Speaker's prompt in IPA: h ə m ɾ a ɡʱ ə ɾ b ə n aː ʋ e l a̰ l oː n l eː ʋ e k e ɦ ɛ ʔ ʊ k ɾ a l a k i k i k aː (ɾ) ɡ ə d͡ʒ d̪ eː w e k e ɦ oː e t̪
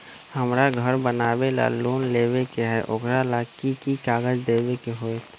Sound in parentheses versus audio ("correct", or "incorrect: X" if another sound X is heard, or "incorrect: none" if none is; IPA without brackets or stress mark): incorrect: none